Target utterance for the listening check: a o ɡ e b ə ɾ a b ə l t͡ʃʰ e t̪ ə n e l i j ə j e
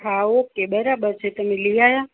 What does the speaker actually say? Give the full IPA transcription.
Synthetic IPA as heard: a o k e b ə ɾ a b ə ɾ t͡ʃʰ e t̪ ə m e l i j a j a